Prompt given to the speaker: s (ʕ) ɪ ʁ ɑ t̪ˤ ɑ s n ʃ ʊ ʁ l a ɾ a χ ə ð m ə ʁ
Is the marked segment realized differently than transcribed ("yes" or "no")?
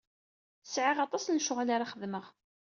no